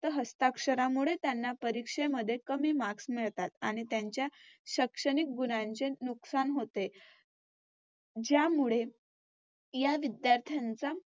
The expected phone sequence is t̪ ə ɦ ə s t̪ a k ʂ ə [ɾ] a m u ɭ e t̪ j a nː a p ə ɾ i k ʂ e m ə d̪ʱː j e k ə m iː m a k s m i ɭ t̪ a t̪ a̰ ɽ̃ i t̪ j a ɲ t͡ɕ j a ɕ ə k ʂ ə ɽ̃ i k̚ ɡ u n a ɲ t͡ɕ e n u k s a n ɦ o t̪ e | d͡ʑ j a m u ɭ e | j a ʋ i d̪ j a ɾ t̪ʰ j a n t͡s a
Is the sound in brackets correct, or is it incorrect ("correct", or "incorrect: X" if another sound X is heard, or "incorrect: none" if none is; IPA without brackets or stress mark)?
correct